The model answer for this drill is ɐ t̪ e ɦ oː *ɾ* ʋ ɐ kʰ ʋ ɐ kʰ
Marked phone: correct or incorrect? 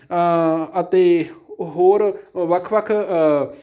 correct